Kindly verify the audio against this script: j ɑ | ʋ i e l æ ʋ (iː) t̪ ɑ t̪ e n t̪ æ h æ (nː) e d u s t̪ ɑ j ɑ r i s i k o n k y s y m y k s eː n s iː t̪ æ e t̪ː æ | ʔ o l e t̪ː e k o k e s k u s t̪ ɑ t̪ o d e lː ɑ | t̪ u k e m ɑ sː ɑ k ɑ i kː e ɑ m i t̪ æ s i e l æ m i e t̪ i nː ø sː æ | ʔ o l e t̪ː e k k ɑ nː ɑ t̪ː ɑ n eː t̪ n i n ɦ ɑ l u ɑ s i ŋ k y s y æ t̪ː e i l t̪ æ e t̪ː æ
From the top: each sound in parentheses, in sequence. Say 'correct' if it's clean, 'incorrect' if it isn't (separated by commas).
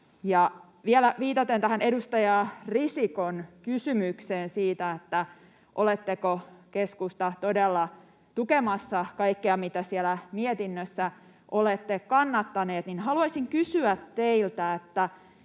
correct, incorrect